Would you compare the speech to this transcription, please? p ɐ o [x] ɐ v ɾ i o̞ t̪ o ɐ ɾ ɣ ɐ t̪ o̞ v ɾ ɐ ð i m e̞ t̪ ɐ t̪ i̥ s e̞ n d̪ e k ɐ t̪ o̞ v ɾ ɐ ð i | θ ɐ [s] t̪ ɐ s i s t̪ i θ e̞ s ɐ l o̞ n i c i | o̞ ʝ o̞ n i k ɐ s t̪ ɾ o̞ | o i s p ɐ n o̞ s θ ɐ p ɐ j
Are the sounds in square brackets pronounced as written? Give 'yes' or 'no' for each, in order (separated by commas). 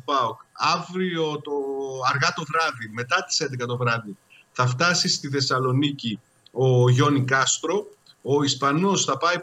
no, no